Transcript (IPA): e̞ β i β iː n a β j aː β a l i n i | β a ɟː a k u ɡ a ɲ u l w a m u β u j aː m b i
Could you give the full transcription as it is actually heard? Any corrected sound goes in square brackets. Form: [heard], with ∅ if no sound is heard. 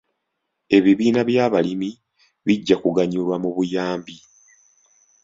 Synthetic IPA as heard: e̞ β i β iː n a β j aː β a l i [m] i | β [i] ɟː a k u ɡ a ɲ u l w a m u β u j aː m b i